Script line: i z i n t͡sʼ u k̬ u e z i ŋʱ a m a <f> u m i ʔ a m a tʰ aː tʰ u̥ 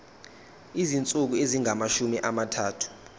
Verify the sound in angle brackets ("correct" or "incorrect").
incorrect